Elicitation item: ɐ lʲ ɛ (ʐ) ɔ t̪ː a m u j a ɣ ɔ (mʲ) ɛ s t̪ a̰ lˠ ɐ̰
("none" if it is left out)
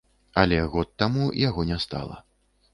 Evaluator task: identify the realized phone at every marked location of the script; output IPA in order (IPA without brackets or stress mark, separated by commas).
ɣ, nʲ